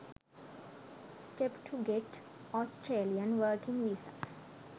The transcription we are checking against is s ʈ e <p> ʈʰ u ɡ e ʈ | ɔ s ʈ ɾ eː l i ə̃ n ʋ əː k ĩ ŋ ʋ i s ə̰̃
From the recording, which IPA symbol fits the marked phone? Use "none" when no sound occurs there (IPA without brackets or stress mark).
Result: p